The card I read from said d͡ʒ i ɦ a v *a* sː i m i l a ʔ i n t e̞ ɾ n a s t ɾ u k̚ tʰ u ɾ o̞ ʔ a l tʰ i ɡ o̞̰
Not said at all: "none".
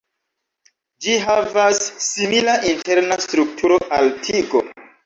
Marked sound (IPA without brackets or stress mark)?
a